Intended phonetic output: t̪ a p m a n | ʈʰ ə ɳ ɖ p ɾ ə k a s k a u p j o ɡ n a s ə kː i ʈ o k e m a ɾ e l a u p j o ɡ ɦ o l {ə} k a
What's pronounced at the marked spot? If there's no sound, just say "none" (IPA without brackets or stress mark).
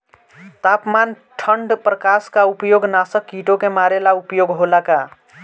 a